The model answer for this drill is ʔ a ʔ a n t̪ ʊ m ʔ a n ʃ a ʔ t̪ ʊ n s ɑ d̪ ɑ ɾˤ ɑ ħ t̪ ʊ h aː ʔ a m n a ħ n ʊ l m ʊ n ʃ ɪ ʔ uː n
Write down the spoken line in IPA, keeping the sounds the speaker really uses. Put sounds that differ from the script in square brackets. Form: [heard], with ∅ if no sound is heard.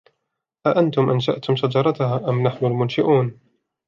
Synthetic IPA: ʔ a ʔ a n t̪ ʊ m ʔ a n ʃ a ʔ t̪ ʊ [m] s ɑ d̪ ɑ ɾˤ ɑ [∅] t̪ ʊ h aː ʔ a m n a ħ n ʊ l m ʊ n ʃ ɪ ʔ uː n

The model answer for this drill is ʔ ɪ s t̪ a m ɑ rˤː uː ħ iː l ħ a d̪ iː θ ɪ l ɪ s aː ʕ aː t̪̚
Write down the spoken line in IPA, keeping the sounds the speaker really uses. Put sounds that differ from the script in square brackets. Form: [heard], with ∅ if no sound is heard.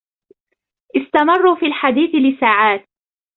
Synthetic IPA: ʔ ɪ s t̪ a m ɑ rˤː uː [f] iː l ħ a d̪ iː θ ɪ l ɪ s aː ʕ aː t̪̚

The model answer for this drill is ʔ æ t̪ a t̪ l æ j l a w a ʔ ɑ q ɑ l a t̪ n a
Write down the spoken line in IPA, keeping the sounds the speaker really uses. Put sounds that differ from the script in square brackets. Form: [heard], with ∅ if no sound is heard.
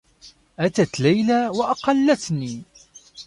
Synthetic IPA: ʔ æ t̪ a t̪ l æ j l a w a ʔ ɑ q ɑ [lː] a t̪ n [i]

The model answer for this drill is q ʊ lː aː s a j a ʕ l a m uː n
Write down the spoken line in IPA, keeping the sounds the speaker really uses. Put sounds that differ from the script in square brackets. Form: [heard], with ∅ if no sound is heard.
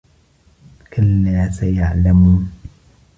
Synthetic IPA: [k] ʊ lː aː s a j a ʕ l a m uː n

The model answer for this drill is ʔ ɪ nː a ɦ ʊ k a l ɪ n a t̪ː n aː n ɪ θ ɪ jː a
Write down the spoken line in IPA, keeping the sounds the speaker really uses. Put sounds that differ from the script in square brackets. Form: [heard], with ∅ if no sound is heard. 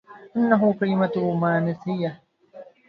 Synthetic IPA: ʔ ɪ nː a ɦ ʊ k a l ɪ [m] a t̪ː [m] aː n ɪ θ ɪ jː a

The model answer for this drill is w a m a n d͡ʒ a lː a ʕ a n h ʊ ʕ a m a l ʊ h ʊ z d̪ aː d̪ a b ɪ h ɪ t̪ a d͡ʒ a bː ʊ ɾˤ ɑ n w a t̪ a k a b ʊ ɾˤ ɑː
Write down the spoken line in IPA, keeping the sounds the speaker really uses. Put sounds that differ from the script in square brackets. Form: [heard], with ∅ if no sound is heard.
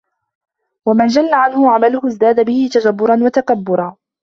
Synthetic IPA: w a m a n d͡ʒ a lː a ʕ a n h ʊ ʕ a m a l ʊ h ʊ z d̪ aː d̪ a b ɪ h ɪ t̪ a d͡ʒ a bː ʊ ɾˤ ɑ n w a t̪ a k a [bː] ʊ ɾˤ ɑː

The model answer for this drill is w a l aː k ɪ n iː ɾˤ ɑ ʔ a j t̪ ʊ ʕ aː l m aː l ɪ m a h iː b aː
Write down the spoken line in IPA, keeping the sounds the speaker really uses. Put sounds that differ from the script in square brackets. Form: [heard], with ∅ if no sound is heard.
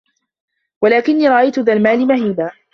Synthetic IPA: w a l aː k ɪ [nː] iː ɾˤ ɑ ʔ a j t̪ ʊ [ð] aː l m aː l ɪ m a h iː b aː

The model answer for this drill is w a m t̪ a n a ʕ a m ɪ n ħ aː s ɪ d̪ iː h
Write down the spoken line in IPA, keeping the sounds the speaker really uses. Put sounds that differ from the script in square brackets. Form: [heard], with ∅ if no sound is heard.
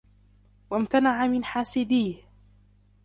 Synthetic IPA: w a m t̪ a n a ʕ a m ɪ n ħ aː s ɪ d̪ iː h

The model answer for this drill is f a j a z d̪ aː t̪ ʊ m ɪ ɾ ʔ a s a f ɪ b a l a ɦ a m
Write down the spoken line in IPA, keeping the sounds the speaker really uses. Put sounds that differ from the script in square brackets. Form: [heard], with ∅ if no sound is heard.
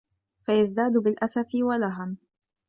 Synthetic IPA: f a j a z d̪ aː [d̪] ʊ [b] ɪ [l] ʔ a s a f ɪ [w] a l a ɦ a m

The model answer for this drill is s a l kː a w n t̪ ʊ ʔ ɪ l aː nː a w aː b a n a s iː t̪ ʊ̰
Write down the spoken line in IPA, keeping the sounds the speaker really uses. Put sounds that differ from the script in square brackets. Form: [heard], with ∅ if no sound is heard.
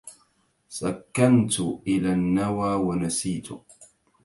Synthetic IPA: s a [∅] kː a [∅] n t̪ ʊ ʔ ɪ l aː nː a w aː [w] a n a s iː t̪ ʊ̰

